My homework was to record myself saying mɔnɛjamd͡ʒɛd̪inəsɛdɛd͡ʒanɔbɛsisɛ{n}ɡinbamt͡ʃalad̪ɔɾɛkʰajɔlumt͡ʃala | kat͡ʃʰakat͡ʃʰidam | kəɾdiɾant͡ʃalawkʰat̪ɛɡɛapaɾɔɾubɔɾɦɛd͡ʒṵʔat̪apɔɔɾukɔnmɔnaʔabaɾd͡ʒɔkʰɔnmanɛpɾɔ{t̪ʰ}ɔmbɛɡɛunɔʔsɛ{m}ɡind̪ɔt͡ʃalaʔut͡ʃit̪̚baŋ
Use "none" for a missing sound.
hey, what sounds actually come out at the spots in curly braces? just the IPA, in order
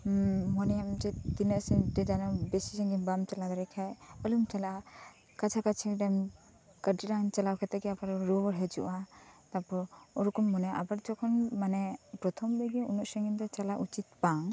ŋ, t̪ʰ, ŋ

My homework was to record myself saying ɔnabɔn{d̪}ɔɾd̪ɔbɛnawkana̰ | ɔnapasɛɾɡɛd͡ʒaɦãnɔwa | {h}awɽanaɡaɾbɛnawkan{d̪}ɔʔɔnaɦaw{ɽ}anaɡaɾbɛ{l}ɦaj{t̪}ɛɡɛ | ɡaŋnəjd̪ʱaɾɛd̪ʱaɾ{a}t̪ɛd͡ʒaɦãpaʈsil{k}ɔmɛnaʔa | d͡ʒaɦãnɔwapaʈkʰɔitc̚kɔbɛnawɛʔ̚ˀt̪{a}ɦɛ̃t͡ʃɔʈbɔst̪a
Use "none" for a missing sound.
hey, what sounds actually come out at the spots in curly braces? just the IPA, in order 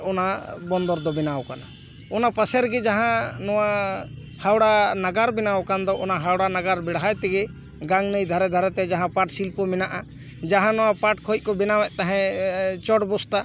d̪, h, d̪, ɽ, ɽ, t̪, ɛ, p, a

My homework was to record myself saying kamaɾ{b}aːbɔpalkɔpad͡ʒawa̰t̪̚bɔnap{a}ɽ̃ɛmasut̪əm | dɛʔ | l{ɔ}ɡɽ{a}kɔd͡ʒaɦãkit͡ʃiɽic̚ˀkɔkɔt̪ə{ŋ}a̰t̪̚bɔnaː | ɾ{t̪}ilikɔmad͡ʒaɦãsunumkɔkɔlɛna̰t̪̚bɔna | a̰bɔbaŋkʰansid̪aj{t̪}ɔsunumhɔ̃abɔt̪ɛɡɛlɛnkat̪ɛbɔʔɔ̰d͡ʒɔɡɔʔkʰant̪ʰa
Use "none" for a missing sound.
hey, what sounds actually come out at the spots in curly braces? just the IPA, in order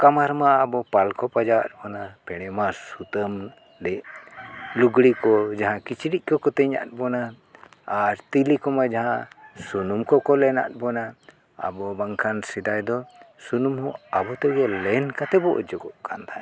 m, ɛ, u, i, ɲ, t̪, d̪

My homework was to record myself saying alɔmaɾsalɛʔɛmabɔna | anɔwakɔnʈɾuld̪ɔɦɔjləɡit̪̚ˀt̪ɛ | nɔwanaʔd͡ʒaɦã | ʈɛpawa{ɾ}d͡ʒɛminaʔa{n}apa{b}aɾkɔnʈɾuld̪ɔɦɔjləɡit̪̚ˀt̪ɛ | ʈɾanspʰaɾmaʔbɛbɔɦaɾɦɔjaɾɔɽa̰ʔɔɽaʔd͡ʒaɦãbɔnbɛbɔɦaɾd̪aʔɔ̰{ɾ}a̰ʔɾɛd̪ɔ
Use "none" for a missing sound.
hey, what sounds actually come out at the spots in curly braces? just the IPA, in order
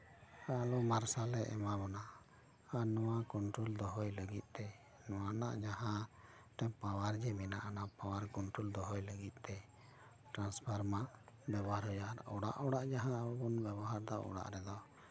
ɾ, n, w, ɽ

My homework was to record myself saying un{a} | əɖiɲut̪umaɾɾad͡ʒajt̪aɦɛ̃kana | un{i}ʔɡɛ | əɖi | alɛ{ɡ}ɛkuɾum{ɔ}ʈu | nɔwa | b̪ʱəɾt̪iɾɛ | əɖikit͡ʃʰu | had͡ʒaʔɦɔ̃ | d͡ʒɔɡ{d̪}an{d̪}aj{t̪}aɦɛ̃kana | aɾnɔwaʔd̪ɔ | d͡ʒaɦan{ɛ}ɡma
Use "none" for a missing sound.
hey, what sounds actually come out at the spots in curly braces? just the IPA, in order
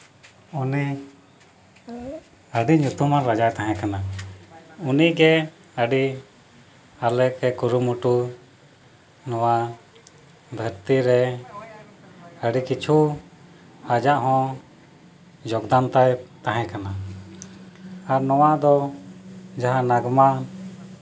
i, i, k, u, d̪, t̪, t̪, a

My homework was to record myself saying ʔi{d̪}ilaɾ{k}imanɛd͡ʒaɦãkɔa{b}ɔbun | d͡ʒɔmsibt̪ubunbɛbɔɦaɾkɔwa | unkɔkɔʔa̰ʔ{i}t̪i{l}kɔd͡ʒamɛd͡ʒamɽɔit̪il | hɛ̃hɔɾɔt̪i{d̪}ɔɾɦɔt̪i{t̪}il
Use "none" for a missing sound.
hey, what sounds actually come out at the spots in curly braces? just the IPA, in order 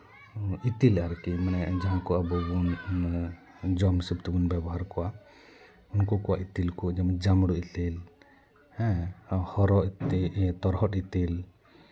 t̪, k, b, i, l, t̪, t̪

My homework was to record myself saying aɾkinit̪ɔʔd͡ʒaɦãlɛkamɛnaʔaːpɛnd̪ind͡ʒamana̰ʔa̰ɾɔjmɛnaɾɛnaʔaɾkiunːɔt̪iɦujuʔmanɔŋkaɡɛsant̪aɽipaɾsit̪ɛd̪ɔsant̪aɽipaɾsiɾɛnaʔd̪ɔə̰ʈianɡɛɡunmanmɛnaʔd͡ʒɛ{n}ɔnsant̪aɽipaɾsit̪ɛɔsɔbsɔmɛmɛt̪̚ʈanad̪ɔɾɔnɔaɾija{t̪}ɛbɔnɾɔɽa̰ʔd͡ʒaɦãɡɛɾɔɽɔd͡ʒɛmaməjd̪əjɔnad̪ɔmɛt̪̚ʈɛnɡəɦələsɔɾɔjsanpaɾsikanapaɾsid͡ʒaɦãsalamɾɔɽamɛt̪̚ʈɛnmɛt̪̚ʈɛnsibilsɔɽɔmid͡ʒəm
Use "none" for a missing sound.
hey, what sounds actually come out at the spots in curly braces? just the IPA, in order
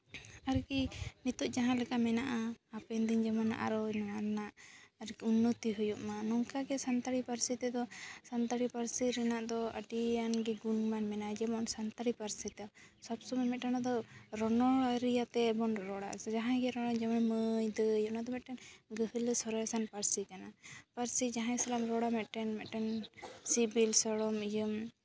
m, t̪

